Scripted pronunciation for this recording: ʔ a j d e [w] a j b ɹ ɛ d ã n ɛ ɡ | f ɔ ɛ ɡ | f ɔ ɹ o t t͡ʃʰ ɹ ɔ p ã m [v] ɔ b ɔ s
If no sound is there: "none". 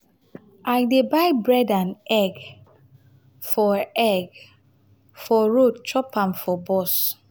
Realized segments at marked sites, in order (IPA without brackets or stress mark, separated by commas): b, f